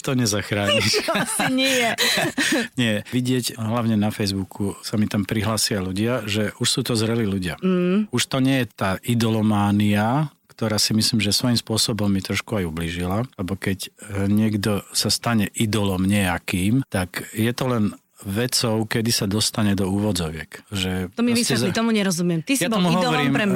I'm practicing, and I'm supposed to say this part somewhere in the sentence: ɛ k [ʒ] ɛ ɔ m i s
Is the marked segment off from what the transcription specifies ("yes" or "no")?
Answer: no